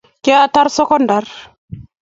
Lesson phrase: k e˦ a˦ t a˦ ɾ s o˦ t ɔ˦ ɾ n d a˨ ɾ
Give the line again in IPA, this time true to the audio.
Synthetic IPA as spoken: k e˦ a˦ t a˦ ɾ s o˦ k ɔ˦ n d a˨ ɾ